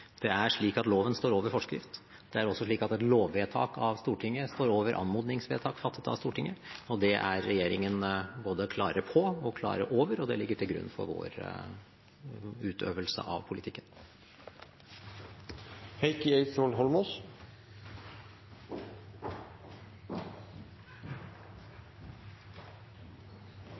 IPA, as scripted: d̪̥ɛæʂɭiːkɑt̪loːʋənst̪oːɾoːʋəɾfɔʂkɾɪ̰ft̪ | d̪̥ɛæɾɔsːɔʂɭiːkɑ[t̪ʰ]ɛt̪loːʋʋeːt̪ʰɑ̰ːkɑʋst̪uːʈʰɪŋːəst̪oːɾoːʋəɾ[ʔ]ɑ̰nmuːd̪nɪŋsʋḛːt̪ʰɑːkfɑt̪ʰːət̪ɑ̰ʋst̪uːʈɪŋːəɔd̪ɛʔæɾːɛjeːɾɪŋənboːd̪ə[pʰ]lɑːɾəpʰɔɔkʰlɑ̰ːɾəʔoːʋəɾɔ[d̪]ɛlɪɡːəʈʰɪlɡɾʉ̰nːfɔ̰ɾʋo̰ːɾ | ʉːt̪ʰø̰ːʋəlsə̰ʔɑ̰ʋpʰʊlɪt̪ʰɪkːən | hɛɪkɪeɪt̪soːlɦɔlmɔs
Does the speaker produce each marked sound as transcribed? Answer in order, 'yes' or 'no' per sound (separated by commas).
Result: no, yes, no, yes